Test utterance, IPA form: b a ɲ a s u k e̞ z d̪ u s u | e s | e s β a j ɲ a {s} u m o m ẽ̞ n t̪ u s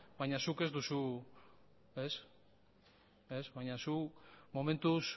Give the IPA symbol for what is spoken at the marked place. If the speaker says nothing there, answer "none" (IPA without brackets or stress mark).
s